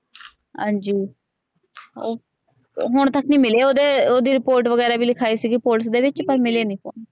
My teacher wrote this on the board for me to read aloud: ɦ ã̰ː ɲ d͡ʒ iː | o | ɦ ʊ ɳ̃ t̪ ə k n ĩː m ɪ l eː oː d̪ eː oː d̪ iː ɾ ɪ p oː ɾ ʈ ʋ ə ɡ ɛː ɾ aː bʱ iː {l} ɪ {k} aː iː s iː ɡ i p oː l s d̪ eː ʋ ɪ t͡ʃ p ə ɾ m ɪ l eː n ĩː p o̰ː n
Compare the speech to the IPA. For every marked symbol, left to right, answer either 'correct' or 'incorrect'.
correct, incorrect

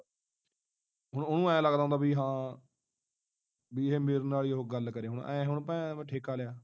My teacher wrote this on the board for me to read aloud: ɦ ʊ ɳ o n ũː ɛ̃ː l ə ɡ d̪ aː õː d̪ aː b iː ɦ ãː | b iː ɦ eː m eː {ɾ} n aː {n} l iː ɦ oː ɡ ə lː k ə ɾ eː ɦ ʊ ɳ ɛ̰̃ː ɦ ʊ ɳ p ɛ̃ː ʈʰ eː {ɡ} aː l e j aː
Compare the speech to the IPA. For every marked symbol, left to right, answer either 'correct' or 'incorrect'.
correct, incorrect, incorrect

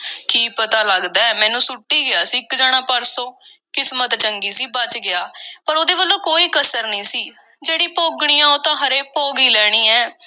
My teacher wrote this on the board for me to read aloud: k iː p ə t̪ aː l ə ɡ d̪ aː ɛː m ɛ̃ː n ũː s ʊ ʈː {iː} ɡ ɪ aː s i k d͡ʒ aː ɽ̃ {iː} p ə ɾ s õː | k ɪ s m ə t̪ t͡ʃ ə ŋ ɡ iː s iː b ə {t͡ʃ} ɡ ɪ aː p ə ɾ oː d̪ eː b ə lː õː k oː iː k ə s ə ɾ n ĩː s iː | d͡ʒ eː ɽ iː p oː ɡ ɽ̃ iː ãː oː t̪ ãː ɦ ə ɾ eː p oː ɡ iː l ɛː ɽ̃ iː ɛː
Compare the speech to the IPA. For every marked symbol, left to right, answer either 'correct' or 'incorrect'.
correct, incorrect, correct

